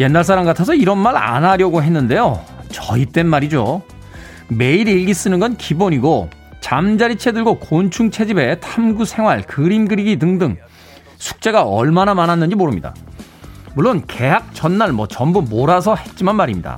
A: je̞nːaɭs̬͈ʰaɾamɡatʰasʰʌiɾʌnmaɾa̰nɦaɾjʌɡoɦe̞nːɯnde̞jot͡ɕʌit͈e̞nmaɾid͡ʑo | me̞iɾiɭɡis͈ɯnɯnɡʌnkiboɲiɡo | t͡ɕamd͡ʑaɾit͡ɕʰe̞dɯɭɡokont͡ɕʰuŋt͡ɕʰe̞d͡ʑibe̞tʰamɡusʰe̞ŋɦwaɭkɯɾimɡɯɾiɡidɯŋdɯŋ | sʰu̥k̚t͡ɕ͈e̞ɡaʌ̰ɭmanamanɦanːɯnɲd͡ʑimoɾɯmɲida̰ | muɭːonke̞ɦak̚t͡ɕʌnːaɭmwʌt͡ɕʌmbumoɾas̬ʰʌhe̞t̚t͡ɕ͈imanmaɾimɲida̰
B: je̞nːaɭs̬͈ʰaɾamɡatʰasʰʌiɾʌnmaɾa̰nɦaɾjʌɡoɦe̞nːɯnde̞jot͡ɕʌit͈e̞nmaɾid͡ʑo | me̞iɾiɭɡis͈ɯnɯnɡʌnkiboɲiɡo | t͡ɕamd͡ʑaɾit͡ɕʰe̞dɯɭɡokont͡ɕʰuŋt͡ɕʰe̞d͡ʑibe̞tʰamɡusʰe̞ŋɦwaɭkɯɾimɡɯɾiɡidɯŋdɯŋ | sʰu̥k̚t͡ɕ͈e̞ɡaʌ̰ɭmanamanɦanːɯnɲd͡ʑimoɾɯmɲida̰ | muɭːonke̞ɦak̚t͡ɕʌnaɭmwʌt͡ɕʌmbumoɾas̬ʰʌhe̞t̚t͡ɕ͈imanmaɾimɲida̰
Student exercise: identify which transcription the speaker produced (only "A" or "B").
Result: A